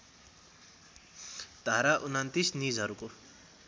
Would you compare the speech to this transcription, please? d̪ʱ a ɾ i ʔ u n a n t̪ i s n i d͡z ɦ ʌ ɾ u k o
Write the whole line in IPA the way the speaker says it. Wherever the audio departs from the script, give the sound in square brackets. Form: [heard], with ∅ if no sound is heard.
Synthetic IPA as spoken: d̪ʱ a ɾ [a] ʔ u n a n t̪ i s n i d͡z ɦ ʌ ɾ u k o